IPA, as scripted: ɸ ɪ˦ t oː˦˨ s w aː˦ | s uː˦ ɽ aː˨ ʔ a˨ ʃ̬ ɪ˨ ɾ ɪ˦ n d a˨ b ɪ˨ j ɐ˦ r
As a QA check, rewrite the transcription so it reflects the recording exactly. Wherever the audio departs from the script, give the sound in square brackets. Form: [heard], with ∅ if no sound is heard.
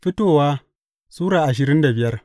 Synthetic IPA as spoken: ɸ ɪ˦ t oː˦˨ [∅] w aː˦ | s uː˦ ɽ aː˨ ʔ a˨ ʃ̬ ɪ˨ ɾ ɪ˦ n d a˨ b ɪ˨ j ɐ˦ r

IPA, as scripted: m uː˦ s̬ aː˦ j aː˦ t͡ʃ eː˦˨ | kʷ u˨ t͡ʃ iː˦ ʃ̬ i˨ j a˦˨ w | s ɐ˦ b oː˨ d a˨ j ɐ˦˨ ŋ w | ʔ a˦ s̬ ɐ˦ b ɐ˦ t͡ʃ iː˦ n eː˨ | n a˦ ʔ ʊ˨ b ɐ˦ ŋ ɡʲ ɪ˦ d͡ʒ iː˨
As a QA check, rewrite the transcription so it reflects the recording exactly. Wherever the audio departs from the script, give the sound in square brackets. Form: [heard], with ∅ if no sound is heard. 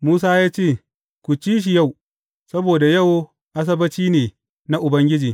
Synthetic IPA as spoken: m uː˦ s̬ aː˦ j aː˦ t͡ʃ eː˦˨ | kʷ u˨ t͡ʃ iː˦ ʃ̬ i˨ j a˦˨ w | s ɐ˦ b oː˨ d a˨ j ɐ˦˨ [∅] w | ʔ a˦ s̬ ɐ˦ b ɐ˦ t͡ʃ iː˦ n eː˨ | n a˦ ʔ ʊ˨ b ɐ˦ ŋ ɡʲ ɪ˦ d͡ʒ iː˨

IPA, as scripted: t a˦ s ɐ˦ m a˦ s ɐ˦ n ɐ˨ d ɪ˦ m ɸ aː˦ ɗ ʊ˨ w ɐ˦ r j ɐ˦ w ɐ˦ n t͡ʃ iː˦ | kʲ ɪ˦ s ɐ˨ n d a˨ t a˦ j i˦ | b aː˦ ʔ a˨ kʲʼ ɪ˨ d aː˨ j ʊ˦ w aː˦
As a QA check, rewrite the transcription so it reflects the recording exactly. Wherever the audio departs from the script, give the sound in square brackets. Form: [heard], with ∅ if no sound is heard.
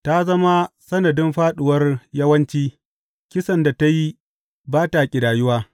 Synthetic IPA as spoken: t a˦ [z] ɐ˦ m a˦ s ɐ˦ n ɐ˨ d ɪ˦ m ɸ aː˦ ɗ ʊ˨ w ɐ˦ r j ɐ˦ w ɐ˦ n t͡ʃ iː˦ | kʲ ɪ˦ s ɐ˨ n d a˨ t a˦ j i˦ | b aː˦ [t] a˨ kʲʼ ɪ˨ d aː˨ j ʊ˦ w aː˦

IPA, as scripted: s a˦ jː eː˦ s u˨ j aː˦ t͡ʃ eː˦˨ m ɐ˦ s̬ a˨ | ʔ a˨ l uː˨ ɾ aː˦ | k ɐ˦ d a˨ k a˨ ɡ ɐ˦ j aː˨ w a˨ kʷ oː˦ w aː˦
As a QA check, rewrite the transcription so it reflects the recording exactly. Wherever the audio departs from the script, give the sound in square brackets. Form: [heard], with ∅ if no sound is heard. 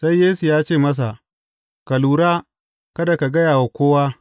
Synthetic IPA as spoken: s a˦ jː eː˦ s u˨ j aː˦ t͡ʃ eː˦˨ m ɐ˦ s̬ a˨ | [k] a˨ l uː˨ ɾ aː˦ | k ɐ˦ d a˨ k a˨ ɡ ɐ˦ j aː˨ w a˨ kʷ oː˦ w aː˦

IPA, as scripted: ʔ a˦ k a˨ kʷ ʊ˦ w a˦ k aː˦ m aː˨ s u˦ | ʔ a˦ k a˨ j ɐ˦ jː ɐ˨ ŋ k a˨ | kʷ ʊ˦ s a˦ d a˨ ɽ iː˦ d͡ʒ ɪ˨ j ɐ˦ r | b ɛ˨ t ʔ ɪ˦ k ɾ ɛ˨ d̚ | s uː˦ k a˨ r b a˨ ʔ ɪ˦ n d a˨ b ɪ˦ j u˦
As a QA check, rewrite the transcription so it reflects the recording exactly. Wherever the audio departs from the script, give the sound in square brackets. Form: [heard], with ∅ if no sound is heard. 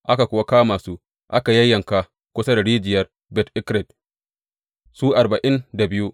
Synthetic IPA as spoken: ʔ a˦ k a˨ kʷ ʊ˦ w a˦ k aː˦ m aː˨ s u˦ | ʔ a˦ k a˨ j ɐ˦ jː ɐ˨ ŋ k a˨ | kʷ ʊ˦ s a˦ d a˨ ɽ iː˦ d͡ʒ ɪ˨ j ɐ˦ r | b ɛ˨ t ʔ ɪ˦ k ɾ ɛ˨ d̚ | s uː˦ [ʔ] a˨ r b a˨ ʔ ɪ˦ n d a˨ b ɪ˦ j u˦

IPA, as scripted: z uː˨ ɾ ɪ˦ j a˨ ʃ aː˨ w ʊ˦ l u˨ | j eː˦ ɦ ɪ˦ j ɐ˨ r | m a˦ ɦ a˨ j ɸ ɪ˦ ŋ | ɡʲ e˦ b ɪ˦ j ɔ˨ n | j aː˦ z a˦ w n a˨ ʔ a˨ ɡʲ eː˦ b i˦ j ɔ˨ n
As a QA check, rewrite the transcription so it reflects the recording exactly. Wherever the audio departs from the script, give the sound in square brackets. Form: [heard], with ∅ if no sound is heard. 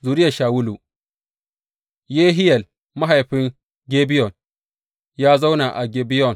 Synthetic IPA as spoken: z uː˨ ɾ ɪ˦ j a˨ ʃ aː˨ w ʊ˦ l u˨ | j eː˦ ɦ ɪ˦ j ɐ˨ [l] | m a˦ ɦ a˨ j ɸ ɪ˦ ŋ | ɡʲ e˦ b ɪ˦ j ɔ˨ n | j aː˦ z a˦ w n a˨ ʔ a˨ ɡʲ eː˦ b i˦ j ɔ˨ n

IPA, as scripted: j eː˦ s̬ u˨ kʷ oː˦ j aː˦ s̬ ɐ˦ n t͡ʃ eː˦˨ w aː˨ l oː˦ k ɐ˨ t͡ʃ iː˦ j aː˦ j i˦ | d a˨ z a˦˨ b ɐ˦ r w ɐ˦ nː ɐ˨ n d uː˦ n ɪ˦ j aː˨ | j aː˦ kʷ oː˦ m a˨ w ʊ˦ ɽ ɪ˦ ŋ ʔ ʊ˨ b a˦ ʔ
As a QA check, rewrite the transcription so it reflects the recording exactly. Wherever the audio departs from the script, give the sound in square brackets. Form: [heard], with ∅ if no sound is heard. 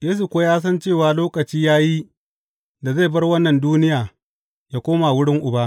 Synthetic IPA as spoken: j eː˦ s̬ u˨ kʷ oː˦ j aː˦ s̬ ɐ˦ n t͡ʃ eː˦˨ w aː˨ l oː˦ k ɐ˨ t͡ʃ iː˦ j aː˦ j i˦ | d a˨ z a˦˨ b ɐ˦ r w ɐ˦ nː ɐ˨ n d uː˦ n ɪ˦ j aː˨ | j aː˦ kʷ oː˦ m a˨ w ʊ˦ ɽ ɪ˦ ŋ ʔ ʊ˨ b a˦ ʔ

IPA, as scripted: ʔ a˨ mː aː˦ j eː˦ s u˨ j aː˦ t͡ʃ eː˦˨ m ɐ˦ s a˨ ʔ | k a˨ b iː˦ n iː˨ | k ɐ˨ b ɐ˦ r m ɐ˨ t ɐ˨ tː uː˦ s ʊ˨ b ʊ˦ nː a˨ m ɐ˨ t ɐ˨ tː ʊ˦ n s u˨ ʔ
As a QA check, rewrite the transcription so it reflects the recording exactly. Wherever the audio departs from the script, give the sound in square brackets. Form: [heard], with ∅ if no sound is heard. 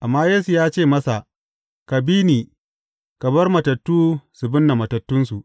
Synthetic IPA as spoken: ʔ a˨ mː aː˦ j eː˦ s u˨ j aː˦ t͡ʃ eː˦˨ m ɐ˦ s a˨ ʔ | k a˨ b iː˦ n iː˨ | k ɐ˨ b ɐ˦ r m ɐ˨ t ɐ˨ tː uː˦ s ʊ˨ b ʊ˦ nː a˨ m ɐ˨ t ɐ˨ tː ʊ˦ n s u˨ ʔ

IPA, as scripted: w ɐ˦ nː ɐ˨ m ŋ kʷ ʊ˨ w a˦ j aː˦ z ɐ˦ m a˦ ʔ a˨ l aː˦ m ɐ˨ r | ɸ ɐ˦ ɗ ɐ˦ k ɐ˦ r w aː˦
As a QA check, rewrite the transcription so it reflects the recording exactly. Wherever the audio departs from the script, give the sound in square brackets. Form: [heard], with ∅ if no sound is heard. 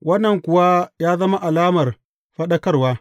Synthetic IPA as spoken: w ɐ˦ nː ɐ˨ [∅] ŋ kʷ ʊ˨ w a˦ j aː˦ z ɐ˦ m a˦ ʔ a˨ l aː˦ m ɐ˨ r | ɸ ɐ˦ ɗ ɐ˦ k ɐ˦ r w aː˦

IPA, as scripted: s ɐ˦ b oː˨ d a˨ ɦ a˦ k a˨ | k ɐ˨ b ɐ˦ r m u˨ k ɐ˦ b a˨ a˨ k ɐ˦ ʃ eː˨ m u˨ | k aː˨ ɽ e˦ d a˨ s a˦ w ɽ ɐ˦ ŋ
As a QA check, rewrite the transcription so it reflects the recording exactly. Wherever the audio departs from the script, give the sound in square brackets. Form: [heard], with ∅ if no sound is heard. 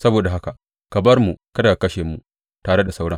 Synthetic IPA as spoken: s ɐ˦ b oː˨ d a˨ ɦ a˦ k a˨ | k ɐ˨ b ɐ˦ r m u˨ k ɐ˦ [d] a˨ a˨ k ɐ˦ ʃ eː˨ m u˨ | [t] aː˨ ɽ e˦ d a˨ s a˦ w ɽ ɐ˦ ŋ

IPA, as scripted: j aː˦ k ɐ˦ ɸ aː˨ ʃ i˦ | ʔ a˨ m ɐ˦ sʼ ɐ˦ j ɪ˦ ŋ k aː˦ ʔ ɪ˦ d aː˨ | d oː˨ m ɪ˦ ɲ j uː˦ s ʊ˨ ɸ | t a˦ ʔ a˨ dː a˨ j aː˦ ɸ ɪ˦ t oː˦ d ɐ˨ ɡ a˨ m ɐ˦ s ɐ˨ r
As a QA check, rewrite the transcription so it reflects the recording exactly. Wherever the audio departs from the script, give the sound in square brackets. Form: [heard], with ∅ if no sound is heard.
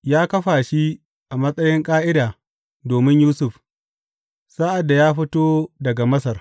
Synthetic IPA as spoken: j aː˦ k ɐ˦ ɸ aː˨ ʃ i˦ | ʔ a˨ m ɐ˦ sʼ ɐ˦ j ɪ˦ ŋ [kʼ] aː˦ ʔ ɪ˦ d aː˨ | d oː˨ m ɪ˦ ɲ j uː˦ s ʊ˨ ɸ | [s] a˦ ʔ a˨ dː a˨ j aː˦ ɸ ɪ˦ t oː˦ d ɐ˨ ɡ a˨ m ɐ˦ s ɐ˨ r

